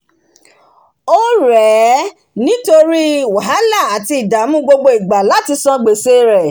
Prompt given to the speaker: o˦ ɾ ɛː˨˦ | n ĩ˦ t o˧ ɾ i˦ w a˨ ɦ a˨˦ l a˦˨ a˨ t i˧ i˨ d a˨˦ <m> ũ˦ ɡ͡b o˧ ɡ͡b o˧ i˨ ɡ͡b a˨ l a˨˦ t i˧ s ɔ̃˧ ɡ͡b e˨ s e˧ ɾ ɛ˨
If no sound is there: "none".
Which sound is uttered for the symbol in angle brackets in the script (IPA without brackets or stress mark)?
m